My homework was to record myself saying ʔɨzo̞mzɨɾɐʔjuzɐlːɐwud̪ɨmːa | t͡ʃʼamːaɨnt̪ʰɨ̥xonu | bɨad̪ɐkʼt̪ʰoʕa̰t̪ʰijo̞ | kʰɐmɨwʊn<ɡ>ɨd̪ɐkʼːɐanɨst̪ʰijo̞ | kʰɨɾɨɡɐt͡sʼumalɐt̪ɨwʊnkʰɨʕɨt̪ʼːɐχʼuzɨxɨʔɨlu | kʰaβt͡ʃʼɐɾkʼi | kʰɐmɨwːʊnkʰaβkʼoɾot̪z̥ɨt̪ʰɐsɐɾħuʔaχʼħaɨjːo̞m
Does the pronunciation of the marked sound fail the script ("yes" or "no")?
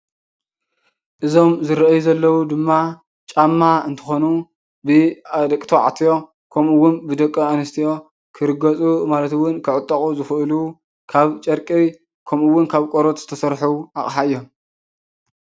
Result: yes